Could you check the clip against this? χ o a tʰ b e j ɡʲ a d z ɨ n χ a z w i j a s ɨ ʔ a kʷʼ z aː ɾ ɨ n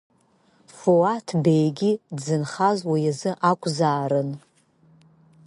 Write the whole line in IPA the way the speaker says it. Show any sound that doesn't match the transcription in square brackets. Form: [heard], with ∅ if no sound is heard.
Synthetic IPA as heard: [f] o a tʰ b e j ɡʲ [i] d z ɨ n χ a z w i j a [z] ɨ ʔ a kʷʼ z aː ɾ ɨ n